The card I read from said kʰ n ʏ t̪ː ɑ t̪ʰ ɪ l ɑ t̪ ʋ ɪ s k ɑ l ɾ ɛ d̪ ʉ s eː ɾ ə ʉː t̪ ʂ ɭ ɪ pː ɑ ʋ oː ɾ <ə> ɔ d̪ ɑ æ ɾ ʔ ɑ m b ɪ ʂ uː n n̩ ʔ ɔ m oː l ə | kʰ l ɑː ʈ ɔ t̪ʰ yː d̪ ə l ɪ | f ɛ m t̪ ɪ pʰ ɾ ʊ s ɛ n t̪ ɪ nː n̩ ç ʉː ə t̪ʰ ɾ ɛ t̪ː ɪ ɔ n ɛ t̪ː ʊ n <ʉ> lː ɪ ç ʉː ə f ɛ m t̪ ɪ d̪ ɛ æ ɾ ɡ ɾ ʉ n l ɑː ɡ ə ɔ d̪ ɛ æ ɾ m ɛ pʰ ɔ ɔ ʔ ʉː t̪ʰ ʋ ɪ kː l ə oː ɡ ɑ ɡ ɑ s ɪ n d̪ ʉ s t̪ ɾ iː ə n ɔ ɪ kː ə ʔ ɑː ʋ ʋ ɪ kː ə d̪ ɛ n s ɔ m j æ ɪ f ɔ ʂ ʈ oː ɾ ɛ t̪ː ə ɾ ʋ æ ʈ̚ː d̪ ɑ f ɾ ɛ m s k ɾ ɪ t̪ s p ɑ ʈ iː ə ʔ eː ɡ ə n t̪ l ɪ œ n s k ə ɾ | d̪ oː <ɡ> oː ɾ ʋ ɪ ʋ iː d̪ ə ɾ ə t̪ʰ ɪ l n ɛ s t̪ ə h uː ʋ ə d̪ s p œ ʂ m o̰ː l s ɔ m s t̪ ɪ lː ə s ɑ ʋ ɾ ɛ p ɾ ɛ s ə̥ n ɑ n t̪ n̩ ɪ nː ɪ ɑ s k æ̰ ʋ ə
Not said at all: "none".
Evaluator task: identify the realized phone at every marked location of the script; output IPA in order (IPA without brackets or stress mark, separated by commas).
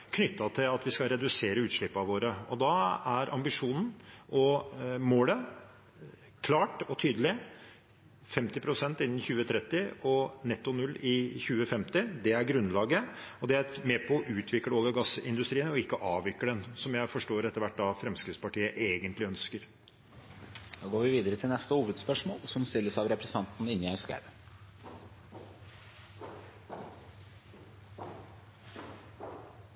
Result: ə, ʉ, ɡ